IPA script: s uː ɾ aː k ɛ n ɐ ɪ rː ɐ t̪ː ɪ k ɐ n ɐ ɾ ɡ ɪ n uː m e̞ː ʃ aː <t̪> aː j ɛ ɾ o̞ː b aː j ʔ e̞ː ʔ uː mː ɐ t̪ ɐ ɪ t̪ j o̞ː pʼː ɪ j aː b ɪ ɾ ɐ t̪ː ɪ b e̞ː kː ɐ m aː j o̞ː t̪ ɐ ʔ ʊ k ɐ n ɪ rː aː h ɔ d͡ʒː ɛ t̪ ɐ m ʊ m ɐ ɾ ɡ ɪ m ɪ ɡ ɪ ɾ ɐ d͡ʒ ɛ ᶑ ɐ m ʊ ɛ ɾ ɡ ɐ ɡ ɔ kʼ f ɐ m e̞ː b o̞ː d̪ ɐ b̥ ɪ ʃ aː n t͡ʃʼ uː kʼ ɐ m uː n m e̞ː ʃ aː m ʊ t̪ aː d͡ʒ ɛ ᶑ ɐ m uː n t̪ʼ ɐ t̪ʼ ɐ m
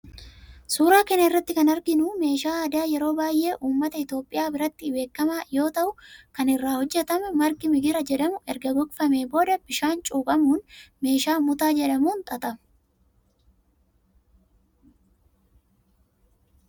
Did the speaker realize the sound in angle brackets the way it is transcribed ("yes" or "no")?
no